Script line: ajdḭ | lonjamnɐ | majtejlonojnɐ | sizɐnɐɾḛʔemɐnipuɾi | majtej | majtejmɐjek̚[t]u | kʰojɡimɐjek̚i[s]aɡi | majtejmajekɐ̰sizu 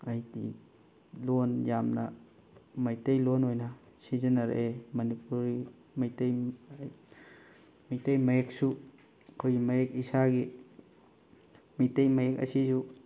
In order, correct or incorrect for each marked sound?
incorrect: s, correct

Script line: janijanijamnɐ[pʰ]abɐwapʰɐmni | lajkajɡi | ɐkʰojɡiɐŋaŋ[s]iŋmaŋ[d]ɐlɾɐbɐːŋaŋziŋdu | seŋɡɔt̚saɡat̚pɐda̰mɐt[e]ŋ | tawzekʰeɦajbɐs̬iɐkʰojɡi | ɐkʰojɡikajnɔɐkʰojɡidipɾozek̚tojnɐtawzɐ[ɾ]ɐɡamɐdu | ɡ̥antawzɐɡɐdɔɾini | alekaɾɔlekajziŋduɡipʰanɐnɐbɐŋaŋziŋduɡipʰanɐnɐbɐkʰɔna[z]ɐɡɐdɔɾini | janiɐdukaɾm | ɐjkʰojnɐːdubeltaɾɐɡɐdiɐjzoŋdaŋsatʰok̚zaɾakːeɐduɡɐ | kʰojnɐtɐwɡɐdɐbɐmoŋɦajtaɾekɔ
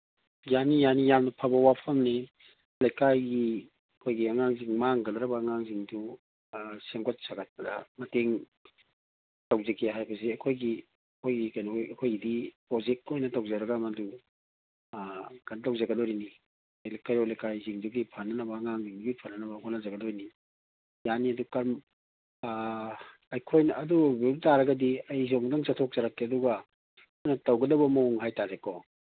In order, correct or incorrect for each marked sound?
correct, incorrect: z, incorrect: ɡ, correct, correct, correct

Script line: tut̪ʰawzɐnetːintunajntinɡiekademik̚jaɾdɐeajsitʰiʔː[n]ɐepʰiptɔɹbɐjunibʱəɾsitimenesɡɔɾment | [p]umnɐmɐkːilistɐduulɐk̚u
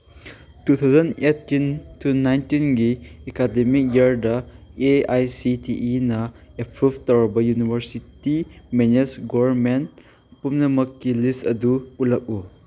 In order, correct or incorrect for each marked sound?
correct, correct

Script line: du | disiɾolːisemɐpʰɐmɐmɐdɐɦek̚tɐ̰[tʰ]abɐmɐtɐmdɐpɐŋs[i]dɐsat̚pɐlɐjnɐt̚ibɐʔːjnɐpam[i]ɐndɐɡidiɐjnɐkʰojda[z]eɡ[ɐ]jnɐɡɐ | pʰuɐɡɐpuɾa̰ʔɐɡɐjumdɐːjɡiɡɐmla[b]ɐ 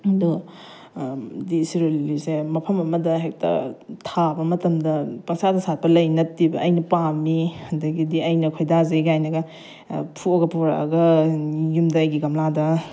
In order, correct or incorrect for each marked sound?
correct, incorrect: a, correct, correct, incorrect: a, incorrect: d

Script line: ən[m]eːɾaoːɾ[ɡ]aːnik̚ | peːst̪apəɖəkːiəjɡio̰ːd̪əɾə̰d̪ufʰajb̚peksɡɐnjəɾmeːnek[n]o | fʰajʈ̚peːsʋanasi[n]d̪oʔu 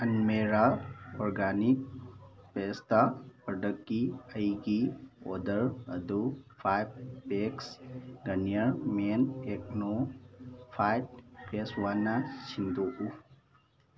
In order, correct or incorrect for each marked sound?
correct, correct, correct, correct

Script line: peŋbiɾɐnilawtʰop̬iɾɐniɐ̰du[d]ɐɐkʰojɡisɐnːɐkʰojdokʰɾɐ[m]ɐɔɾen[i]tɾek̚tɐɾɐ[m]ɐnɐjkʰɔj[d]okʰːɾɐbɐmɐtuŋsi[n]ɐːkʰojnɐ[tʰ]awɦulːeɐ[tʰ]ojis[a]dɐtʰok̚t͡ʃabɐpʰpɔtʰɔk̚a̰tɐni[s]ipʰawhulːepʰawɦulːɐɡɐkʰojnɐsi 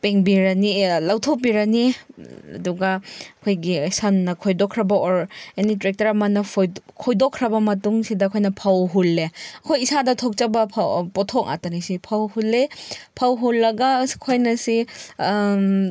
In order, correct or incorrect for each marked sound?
incorrect: ɡ, incorrect: b, correct, correct, correct, incorrect: d, incorrect: pʰ, incorrect: kʰ, correct, correct

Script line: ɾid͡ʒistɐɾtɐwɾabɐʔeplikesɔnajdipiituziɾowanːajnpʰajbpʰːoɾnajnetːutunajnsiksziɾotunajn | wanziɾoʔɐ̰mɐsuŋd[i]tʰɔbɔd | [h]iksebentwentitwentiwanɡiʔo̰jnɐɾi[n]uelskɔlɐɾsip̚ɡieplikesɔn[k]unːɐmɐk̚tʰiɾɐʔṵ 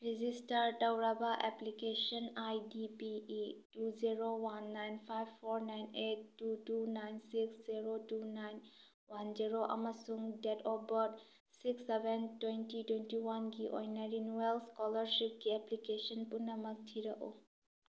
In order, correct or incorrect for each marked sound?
incorrect: e, incorrect: s, correct, incorrect: p

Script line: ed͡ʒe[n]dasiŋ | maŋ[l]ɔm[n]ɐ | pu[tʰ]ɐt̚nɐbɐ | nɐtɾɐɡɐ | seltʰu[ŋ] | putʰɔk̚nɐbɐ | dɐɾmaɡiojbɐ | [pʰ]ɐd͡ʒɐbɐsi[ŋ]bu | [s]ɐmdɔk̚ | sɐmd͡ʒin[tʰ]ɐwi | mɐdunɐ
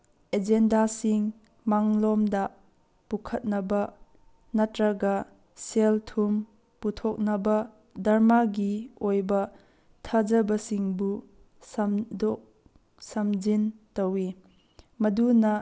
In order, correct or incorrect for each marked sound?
correct, correct, incorrect: d, incorrect: kʰ, incorrect: m, incorrect: tʰ, correct, correct, incorrect: t

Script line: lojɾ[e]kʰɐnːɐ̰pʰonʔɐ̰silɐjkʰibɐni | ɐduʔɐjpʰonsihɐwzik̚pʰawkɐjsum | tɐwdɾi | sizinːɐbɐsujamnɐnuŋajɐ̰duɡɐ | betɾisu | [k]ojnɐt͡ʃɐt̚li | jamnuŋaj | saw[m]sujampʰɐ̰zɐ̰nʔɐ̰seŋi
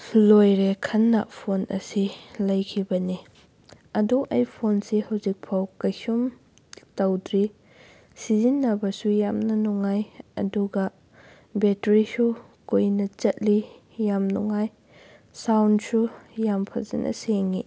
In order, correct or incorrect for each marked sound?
correct, correct, incorrect: n

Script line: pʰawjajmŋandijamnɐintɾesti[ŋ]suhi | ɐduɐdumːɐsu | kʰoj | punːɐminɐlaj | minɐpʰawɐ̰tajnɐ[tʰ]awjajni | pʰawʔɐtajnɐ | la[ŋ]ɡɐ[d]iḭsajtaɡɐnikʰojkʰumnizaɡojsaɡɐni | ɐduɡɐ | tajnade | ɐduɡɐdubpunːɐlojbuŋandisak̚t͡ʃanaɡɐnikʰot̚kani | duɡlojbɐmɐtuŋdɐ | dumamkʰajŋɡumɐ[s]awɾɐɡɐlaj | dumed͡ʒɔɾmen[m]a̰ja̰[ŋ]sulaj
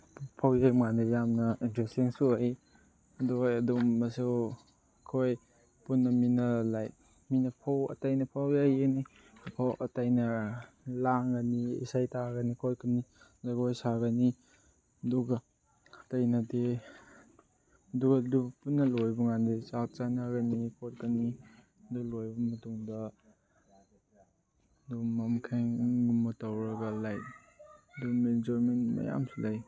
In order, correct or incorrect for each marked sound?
correct, incorrect: pʰ, correct, incorrect: n, incorrect: t, correct, incorrect: m

